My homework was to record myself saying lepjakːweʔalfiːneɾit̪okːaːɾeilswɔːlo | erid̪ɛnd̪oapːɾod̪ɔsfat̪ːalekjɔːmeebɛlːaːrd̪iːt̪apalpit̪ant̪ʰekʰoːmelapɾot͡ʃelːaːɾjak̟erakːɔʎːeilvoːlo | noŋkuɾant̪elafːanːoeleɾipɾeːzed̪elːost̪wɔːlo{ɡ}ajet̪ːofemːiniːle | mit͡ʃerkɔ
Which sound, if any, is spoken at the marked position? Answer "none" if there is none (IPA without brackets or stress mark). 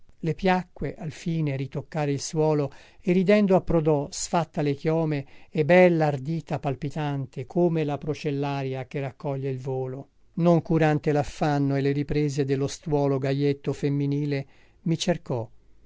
ɡ